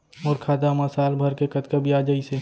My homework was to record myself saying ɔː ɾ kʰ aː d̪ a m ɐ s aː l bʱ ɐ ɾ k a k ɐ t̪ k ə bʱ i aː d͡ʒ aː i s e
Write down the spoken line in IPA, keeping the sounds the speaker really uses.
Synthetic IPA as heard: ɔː ɾ kʰ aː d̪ a m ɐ s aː l bʱ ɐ ɾ k e k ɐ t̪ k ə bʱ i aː d͡ʒ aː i s e